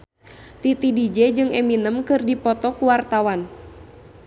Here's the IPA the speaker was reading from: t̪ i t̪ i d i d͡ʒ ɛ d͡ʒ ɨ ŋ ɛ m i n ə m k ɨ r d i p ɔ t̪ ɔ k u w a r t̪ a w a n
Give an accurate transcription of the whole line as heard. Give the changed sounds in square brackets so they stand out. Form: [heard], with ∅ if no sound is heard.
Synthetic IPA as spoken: t̪ i t̪ i d i d͡ʒ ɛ d͡ʒ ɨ ŋ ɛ m i n ə m k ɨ r d i p ɔ t̪ ɔ k u w a r t̪ a w a n